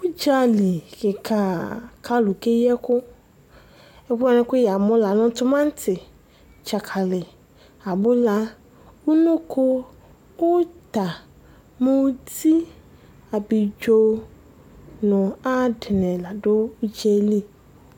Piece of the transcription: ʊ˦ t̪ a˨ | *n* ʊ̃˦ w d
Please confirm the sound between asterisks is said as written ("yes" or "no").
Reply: no